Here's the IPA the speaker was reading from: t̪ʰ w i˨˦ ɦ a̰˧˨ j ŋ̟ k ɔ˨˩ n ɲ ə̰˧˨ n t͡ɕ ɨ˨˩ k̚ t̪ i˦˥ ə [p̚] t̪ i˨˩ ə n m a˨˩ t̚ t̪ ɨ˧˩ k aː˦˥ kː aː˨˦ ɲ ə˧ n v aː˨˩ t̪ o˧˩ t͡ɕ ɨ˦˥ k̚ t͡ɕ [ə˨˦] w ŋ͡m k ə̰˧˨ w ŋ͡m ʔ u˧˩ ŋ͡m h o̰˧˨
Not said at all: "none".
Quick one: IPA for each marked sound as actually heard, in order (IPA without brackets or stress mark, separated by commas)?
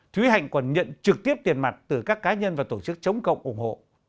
p̚, ə˨˦